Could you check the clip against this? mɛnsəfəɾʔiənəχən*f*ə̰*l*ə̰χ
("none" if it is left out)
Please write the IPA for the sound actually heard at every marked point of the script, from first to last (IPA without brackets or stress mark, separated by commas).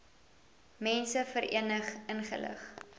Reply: χ, l